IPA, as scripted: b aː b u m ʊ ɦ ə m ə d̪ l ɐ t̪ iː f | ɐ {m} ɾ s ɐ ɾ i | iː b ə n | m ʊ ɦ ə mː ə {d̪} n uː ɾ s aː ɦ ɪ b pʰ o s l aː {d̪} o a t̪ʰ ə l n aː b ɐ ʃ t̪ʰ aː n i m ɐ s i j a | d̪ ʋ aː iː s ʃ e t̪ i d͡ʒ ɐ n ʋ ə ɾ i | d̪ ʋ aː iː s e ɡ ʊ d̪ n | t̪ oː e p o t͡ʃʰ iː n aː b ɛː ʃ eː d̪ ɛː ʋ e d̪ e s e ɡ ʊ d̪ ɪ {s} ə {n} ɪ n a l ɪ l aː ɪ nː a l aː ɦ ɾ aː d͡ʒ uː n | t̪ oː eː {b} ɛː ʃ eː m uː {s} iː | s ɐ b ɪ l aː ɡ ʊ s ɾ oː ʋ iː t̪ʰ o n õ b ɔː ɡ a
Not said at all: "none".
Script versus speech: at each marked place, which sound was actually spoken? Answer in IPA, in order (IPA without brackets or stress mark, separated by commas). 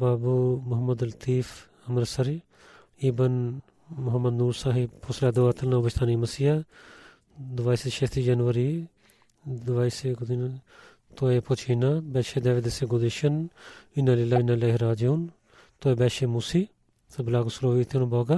m, d̪, d̪, ʃ, n, b, s